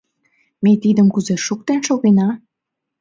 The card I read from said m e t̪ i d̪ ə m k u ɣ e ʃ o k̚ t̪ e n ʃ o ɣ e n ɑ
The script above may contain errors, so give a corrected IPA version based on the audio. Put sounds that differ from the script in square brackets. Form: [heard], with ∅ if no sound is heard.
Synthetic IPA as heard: m e t̪ i d̪ ə m k u [z] e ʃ [u] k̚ t̪ e n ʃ o ɣ e n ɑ